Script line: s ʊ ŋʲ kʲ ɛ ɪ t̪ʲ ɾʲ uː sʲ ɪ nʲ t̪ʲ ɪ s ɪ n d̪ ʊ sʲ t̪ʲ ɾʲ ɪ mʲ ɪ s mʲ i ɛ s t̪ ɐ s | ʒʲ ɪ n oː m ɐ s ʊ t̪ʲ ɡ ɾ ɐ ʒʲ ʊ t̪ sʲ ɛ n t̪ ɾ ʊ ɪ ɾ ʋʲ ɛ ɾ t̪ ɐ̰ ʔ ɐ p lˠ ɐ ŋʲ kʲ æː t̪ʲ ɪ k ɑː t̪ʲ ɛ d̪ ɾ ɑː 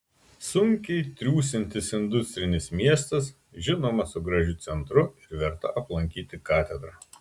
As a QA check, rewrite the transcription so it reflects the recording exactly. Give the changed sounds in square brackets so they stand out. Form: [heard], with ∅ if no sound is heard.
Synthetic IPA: s ʊ ŋʲ kʲ ɛ ɪ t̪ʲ ɾʲ uː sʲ ɪ nʲ t̪ʲ ɪ s ɪ n d̪ ʊ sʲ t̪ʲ ɾʲ ɪ [nʲ] ɪ s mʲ i ɛ s t̪ ɐ s | ʒʲ ɪ n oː m ɐ s ʊ [∅] ɡ ɾ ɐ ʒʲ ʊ t̪ sʲ ɛ n t̪ ɾ ʊ ɪ ɾ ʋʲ ɛ ɾ t̪ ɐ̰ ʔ ɐ p lˠ ɐ ŋʲ kʲ [iː] t̪ʲ ɪ k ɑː t̪ʲ ɛ d̪ ɾ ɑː

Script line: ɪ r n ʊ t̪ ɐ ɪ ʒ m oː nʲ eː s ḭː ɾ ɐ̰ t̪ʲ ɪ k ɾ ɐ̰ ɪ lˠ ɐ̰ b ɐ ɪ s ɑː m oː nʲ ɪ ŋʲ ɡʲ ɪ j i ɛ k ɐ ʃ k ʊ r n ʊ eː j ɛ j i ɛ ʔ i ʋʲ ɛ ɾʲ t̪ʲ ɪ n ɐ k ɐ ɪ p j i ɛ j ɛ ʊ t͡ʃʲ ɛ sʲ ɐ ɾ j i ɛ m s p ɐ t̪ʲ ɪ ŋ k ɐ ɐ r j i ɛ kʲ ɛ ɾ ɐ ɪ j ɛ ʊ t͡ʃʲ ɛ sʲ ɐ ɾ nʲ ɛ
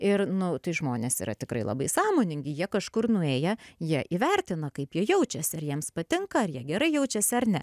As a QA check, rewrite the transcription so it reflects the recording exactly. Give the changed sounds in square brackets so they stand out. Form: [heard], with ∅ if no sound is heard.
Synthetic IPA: ɪ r n ʊ t̪ ɐ ɪ ʒ m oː nʲ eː s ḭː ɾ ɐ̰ t̪ʲ ɪ k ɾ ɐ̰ ɪ lˠ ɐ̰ b ɐ ɪ s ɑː m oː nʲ ɪ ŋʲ ɡʲ ɪ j i ɛ k ɐ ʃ k ʊ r n ʊ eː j ɛ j i ɛ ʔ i ʋʲ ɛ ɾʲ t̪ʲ ɪ n ɐ k ɐ ɪ p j i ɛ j ɛ ʊ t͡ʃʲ ɛ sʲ ɐ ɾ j i ɛ m s p ɐ t̪ʲ ɪ ŋ k ɐ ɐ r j i ɛ [ɡʲ] ɛ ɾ ɐ ɪ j ɛ ʊ t͡ʃʲ ɛ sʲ ɐ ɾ nʲ ɛ

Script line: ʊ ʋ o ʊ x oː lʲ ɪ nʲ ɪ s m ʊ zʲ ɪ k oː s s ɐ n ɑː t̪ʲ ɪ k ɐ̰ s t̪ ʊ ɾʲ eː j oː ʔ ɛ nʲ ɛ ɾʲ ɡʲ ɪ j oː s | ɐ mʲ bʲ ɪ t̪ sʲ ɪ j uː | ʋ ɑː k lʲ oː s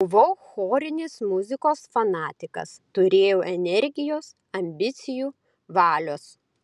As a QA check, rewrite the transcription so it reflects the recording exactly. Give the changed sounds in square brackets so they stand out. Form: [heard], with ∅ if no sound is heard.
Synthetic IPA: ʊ ʋ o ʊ x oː [ɾʲ] ɪ nʲ ɪ s m ʊ zʲ ɪ k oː s [f] ɐ n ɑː t̪ʲ ɪ k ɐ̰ s t̪ ʊ ɾʲ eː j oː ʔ ɛ nʲ ɛ ɾʲ ɡʲ ɪ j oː s | ɐ mʲ bʲ ɪ t̪ sʲ ɪ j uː | ʋ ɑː [∅] lʲ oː s

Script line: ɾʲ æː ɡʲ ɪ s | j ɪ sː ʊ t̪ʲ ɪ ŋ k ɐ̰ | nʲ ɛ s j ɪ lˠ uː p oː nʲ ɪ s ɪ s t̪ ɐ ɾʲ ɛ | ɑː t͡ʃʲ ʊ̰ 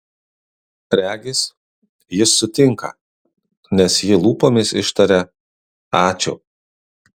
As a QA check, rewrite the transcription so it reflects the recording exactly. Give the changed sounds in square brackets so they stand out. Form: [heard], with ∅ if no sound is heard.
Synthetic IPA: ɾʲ æː ɡʲ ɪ s | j ɪ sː ʊ t̪ʲ ɪ ŋ k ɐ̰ | nʲ ɛ s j ɪ lˠ uː p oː [mʲ] ɪ s ɪ [ʃ] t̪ ɐ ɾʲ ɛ | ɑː t͡ʃʲ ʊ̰

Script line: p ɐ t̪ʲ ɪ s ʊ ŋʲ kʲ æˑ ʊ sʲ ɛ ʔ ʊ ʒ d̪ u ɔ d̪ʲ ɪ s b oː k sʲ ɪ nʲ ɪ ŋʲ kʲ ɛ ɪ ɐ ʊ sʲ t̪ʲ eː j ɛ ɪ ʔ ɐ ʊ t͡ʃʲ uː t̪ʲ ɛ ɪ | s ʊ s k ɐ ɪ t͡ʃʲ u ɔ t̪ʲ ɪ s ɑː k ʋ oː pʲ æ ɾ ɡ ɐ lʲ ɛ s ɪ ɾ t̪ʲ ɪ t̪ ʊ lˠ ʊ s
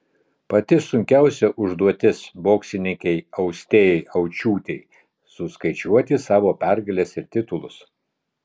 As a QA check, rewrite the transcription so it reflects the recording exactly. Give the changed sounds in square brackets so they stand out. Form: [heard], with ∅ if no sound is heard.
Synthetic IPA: p ɐ t̪ʲ ɪ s ʊ ŋʲ kʲ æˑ ʊ sʲ ɛ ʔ ʊ ʒ d̪ u ɔ [t̪ʲ] ɪ s b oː k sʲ ɪ nʲ ɪ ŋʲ kʲ ɛ ɪ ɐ ʊ sʲ t̪ʲ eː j ɛ ɪ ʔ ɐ ʊ t͡ʃʲ uː t̪ʲ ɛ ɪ | s ʊ s k ɐ ɪ t͡ʃʲ u ɔ t̪ʲ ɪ s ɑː [∅] ʋ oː pʲ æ ɾ ɡ ɐ lʲ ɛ s ɪ ɾ t̪ʲ ɪ t̪ ʊ lˠ ʊ s

